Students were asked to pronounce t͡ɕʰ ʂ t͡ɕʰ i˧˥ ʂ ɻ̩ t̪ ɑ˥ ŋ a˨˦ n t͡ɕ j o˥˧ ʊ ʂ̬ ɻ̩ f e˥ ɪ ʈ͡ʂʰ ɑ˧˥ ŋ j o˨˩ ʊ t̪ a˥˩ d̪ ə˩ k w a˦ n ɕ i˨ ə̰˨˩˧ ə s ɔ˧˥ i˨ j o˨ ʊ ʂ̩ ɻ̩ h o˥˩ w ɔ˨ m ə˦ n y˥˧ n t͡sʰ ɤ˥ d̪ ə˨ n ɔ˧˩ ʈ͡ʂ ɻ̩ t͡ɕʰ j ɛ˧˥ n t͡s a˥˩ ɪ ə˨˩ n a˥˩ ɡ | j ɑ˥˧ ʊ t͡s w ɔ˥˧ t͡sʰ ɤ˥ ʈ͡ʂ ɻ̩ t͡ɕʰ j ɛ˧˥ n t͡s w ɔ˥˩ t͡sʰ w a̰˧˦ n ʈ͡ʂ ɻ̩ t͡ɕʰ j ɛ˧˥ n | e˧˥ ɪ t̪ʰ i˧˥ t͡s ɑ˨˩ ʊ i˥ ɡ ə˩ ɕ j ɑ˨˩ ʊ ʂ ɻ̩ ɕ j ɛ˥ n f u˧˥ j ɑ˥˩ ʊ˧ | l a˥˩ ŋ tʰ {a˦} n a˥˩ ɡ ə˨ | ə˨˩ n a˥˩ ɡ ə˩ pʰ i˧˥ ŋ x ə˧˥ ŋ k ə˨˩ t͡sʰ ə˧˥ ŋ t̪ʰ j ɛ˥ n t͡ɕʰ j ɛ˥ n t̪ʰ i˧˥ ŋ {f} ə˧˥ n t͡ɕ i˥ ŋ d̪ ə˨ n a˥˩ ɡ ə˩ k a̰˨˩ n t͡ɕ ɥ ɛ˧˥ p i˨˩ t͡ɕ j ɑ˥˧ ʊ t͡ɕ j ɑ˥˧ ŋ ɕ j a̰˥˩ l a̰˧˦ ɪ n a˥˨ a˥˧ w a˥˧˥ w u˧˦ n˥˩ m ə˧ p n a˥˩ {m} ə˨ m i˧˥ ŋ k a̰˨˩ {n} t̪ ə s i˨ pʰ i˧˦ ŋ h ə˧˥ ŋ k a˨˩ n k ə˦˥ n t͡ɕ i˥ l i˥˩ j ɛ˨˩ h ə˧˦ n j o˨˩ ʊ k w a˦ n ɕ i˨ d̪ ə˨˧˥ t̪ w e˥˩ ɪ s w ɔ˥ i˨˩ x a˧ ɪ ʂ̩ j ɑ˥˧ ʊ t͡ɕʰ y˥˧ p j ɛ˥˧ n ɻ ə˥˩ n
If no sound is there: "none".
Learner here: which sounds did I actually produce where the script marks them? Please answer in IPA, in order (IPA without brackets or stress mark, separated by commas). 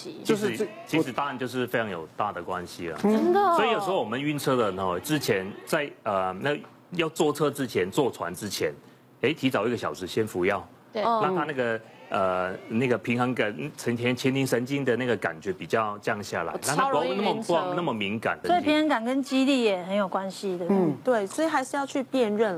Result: a˦, ʂ, m, n